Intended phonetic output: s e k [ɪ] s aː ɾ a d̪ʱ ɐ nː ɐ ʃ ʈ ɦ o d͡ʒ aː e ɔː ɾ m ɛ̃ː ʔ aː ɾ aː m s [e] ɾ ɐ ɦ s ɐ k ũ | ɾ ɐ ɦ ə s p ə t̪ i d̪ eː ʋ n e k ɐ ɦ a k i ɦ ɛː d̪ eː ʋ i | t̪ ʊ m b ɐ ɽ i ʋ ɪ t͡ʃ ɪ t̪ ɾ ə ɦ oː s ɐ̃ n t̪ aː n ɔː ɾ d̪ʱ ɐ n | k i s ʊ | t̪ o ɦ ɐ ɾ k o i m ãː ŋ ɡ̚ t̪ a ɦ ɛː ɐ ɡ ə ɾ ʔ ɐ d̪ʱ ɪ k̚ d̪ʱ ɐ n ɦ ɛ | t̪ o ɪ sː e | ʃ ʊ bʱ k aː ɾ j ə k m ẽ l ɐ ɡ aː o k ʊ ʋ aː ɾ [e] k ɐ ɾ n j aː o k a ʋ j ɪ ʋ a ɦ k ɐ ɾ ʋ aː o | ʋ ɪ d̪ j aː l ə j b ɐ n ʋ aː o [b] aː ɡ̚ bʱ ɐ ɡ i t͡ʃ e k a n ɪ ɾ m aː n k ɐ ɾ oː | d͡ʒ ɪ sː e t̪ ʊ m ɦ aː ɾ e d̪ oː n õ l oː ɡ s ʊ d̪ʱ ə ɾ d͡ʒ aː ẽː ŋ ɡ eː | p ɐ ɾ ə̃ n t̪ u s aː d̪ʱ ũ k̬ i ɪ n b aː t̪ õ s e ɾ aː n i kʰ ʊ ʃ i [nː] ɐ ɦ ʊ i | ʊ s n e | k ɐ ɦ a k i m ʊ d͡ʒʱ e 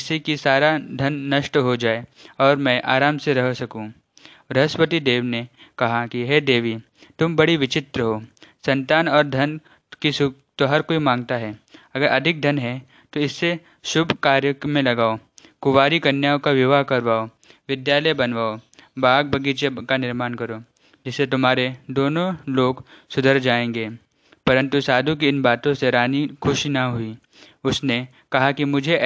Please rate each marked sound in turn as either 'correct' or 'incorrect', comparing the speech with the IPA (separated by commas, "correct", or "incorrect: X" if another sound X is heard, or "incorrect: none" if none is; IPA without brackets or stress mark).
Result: incorrect: i, correct, incorrect: i, correct, incorrect: n